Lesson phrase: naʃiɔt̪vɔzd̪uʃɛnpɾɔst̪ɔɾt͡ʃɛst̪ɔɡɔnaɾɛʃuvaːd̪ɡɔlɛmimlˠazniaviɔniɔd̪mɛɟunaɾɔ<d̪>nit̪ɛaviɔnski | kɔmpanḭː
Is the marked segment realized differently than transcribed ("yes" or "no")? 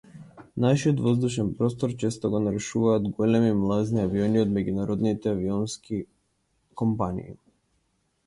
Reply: no